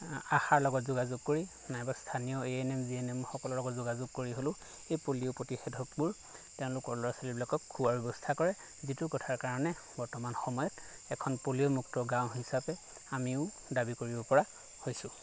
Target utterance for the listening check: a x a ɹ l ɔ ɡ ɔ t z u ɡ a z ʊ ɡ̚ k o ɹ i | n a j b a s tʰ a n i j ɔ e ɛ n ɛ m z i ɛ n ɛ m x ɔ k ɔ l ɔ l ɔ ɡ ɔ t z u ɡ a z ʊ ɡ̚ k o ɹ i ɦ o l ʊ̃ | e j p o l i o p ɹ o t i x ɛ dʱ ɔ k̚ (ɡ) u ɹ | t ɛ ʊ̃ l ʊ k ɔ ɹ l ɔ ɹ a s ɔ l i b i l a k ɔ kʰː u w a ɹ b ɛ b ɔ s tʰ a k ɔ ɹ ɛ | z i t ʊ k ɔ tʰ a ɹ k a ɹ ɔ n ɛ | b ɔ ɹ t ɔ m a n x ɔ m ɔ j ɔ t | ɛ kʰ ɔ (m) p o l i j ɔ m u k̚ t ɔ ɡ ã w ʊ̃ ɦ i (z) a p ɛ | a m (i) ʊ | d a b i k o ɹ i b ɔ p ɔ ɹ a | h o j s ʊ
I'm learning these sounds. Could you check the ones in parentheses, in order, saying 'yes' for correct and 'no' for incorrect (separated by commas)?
no, no, no, yes